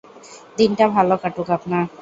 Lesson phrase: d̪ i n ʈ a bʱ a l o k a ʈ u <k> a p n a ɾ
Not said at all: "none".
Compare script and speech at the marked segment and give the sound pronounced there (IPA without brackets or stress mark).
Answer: k